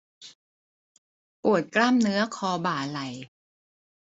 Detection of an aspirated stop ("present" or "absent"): present